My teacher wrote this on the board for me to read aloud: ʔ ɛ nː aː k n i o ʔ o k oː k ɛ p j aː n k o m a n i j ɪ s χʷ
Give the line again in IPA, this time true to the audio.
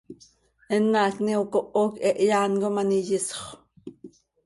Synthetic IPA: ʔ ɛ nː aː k n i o k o ʔ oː k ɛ ʔ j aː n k o m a n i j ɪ s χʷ